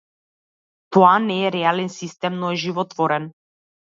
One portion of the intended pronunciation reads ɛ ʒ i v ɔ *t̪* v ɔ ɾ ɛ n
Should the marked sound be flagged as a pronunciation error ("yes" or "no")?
no